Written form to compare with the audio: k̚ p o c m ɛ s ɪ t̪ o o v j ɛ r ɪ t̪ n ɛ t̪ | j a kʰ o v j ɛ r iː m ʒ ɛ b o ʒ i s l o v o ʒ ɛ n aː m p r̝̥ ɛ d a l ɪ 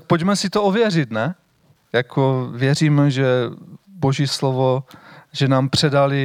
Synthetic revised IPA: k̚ p o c m ɛ s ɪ t̪ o o v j ɛ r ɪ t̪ n ɛ | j a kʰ o v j ɛ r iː m ʒ ɛ b o ʒ i s l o v o ʒ ɛ n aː m p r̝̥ ɛ d a l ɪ